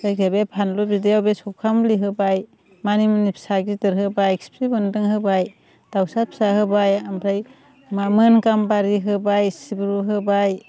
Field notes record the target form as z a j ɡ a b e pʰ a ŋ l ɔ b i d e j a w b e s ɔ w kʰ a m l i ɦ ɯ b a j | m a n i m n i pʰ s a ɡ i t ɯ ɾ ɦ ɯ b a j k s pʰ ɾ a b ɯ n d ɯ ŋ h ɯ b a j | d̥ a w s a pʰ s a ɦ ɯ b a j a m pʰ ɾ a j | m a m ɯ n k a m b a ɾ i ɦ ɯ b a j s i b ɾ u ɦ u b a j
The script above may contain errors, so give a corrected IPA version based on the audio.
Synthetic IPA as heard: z a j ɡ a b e pʰ a n l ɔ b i d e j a w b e s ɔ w kʰ a m l i ɦ ɯ b a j | m a n i m n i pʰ s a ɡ i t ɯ ɾ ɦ ɯ b a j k s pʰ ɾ i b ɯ n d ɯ ŋ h ɯ b a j | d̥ a w s a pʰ s a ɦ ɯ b a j a m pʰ ɾ a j | m a m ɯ n k a m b a ɾ i ɦ ɯ b a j s i b ɾ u ɦ ɯ b a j